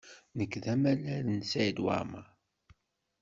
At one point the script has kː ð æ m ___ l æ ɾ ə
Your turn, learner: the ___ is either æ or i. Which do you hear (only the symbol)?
æ